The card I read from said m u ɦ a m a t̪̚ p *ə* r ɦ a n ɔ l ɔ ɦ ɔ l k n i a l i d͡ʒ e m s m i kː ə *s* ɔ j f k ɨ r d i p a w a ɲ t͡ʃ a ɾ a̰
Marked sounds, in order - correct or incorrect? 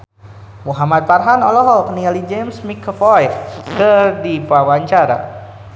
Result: incorrect, incorrect

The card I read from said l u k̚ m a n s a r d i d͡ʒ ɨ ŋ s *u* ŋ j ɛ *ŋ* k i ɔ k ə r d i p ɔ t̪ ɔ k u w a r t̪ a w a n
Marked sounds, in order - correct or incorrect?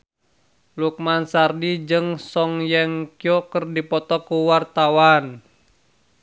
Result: incorrect, correct

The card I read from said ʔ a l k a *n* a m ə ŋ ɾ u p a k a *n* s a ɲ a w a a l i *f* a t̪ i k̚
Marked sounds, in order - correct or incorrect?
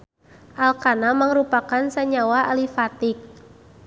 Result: correct, correct, correct

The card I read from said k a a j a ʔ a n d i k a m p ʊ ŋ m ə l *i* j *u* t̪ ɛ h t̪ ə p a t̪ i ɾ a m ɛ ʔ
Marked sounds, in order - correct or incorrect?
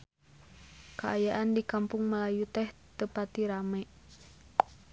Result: incorrect, correct

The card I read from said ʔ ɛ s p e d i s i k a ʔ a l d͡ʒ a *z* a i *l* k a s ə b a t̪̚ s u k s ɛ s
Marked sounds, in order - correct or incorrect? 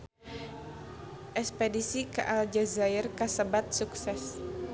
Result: correct, incorrect

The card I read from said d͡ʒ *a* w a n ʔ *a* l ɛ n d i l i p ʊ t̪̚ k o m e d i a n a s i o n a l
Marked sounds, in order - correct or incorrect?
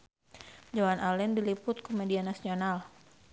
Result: correct, correct

